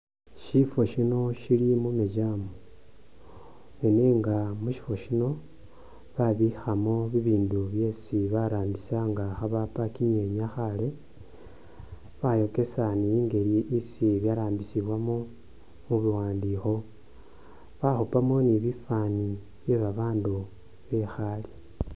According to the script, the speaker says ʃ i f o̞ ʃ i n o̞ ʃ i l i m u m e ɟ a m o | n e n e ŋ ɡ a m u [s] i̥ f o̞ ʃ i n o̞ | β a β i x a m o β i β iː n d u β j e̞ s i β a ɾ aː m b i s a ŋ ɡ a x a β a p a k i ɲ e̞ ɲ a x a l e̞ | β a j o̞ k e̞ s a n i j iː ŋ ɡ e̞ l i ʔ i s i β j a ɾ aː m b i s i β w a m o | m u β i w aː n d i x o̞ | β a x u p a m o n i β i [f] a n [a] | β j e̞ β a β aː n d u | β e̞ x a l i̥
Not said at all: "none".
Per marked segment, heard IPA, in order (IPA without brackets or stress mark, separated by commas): ʃ, f, i